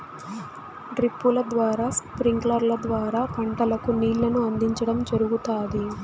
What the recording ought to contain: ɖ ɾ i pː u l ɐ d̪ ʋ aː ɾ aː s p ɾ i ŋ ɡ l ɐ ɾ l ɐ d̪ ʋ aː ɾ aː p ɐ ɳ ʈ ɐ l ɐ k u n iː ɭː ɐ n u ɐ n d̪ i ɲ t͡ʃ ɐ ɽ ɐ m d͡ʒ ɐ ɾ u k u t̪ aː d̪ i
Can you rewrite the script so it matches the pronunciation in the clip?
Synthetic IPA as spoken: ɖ ɾ i pː u l ɐ d̪ ʋ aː ɾ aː s p ɾ i ŋ ɡ l ɐ ɾ l ɐ d̪ ʋ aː ɾ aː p ɐ ɳ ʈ ɐ l ɐ k u n iː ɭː ɐ n u ɐ n d̪ i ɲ t͡ʃ ɐ ɽ ɐ m d͡ʒ ɐ ɾ u ɡ u t̪ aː d̪ i